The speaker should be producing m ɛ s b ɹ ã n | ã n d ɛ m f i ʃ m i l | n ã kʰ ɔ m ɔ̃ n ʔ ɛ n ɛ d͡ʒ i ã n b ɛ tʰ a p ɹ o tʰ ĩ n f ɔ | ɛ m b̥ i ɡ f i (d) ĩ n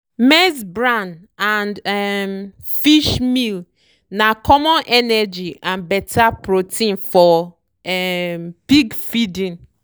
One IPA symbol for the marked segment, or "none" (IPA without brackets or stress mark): d